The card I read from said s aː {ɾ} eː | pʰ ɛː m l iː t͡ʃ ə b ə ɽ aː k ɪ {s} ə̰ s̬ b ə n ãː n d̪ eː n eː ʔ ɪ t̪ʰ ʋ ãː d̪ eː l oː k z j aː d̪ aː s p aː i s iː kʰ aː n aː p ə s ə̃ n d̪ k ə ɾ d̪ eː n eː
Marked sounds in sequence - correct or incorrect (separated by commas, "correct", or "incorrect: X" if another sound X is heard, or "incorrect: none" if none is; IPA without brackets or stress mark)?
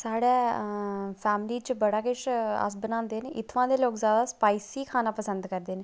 incorrect: ɽ, incorrect: ʃ